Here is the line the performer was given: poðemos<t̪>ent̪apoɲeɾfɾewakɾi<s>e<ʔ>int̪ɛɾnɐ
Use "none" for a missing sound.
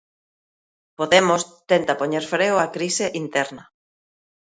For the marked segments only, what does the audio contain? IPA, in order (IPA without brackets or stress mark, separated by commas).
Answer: t̪, s, ʔ